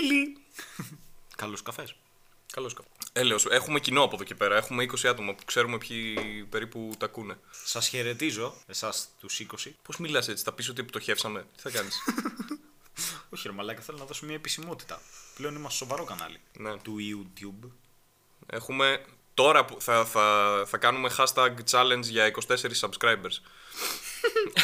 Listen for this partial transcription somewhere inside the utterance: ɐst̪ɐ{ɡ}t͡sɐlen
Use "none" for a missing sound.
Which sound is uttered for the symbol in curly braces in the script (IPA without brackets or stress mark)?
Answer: ɡ